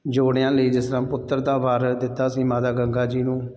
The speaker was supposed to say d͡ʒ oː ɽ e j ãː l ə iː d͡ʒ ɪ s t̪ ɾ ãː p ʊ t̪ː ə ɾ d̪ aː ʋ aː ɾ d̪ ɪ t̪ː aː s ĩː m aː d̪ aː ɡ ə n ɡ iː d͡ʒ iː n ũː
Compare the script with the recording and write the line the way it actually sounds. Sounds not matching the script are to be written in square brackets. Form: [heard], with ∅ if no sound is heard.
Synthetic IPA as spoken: d͡ʒ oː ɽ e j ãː l ə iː d͡ʒ ɪ s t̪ ɾ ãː p ʊ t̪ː ə ɾ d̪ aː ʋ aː ɾ d̪ ɪ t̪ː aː s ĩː m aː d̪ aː ɡ ə [ŋ] ɡ [aː] d͡ʒ iː n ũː